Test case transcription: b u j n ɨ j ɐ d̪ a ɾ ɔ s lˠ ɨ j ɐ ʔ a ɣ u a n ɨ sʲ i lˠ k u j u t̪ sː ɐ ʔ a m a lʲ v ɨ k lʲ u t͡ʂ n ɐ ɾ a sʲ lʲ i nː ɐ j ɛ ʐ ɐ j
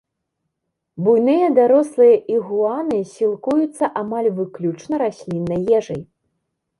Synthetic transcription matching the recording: b u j n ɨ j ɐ d̪ a ɾ ɔ s lˠ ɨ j ɐ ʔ i ɣ u a n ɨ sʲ i lˠ k u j u t̪ sː ɐ ʔ a m a lʲ v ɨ k lʲ u t͡ʂ n ɐ ɾ a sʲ lʲ i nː ɐ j ɛ ʐ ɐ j

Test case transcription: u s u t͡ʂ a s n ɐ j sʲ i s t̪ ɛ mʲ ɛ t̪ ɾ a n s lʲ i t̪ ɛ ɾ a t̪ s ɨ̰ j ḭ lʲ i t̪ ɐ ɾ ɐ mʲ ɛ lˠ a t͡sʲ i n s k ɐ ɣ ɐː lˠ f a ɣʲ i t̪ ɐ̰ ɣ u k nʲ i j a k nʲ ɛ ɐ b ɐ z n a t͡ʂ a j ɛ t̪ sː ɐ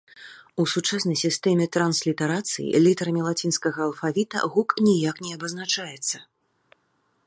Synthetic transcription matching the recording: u s u t͡ʂ a s n ɐ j sʲ i s t̪ ɛ mʲ ɛ t̪ ɾ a n s lʲ i t̪ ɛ ɾ a t̪ s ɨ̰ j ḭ lʲ i t̪ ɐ ɾ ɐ mʲ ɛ lˠ a t͡sʲ i n s k ɐ ɣ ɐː lˠ f a vʲ i t̪ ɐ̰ ɣ u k nʲ i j a k nʲ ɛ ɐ b ɐ z n a t͡ʂ a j ɛ t̪ sː ɐ

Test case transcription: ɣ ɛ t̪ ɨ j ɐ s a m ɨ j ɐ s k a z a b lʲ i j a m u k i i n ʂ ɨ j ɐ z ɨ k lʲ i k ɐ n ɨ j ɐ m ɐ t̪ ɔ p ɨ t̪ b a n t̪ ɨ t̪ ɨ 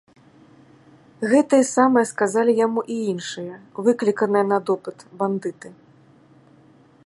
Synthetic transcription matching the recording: ɣ ɛ t̪ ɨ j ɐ s a m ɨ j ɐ s k a z a lʲ i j a m u ʔ i i n ʂ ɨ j ɐ v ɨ k lʲ i k ɐ n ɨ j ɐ n ɐ d̪ ɔ p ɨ t̪ b a n d̪ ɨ t̪ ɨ

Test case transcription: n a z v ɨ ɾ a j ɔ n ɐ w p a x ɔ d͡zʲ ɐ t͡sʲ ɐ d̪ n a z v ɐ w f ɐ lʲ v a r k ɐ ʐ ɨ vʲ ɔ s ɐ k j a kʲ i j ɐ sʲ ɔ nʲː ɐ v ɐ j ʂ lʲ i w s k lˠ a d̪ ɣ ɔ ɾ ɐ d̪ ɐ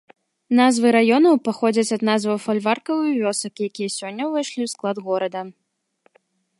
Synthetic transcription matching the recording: n a z v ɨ ɾ a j ɔ n ɐ w p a x ɔ d͡zʲ ɐ t͡sʲ ɐ d̪ n a z v ɐ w f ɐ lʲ v a r k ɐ v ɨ vʲ ɔ s ɐ k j a kʲ i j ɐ sʲ ɔ nʲː ɐ v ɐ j ʂ lʲ i w s k lˠ a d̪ ɣ ɔ ɾ ɐ d̪ ɐ

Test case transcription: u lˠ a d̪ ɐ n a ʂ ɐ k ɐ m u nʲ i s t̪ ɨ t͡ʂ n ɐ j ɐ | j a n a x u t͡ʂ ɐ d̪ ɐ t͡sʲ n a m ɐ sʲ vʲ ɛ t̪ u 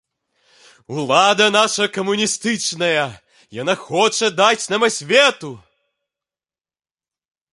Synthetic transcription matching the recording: u lˠ a d̪ ɐ n a ʂ ɐ k ɐ m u nʲ i s t̪ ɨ t͡ʂ n ɐ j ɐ | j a n a x ɔ t͡ʂ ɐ d̪ a t͡sʲ n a m ɐ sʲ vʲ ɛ t̪ u

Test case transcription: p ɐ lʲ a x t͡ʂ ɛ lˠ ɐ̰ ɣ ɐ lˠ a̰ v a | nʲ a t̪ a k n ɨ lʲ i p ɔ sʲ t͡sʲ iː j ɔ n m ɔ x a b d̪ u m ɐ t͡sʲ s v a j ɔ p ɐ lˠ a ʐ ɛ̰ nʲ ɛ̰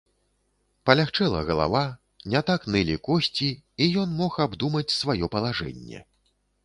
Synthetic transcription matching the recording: p ɐ lʲ a x t͡ʂ ɛ lˠ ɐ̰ ɣ ɐ lˠ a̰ v a | nʲ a t̪ a k n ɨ lʲ i k ɔ sʲ t͡sʲ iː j ɔ n m ɔ x a b d̪ u m ɐ t͡sʲ s v a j ɔ p ɐ lˠ a ʐ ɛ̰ nʲː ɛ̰

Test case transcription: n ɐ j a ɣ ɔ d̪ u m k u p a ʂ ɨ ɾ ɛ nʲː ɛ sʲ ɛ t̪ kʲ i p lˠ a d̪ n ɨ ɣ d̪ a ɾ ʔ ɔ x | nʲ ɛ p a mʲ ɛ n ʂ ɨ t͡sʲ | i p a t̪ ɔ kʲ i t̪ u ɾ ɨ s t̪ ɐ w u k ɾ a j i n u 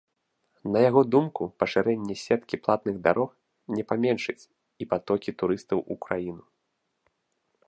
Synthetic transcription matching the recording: n ɐ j a ɣ ɔ d̪ u m k u p ɐ ʂ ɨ ɾ ɛ nʲː ɛ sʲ ɛ t̪ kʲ i p lˠ a t̪ n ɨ ɣ d̪ a ɾ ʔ ɔ x | nʲ ɛ p a mʲ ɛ n ʂ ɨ t͡sʲ | i p a t̪ ɔ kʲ i t̪ u ɾ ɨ s t̪ ɐ w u k ɾ a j i n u

